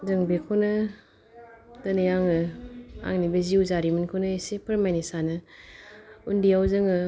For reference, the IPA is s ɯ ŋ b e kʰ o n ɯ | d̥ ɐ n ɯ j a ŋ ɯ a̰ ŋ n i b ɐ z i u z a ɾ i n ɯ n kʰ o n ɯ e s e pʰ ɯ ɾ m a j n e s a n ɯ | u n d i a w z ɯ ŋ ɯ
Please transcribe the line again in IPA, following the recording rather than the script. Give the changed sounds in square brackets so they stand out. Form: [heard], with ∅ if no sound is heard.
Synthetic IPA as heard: [z] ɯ ŋ b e kʰ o n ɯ | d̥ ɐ n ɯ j a ŋ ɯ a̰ ŋ n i b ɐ z i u z a ɾ i [m] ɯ n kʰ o n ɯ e s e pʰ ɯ ɾ m a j n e s a n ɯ | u n d i a w z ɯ ŋ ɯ